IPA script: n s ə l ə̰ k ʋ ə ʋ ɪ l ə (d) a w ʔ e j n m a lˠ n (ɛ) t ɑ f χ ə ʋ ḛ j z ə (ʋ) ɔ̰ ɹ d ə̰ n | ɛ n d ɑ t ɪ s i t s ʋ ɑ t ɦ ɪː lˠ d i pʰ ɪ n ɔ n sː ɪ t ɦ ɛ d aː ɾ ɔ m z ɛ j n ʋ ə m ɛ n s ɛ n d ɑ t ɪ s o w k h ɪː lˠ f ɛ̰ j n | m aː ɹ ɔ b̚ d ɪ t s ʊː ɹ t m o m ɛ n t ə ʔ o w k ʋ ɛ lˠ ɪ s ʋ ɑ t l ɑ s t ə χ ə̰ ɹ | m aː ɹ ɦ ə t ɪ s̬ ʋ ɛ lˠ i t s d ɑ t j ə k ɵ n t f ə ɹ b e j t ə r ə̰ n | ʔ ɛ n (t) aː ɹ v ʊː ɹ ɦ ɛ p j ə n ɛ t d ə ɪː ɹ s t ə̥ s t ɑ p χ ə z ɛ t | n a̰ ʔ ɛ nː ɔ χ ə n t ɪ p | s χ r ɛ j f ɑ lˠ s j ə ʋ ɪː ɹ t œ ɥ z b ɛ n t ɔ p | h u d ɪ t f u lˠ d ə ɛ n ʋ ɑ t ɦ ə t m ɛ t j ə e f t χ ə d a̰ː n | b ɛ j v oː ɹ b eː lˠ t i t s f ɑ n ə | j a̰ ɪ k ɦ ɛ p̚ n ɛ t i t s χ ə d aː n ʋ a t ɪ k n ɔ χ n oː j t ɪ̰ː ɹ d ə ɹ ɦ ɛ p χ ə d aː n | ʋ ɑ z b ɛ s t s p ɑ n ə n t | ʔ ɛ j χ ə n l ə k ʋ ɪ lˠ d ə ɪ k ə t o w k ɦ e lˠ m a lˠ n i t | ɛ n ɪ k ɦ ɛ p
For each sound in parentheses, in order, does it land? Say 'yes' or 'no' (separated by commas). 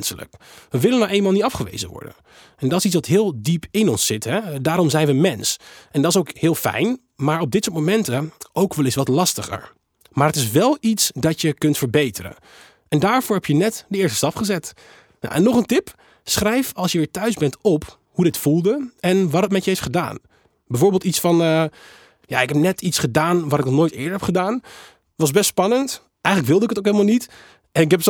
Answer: no, no, yes, no